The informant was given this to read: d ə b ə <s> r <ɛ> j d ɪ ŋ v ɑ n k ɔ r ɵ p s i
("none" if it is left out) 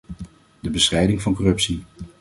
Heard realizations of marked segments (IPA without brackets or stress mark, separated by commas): s, ɛ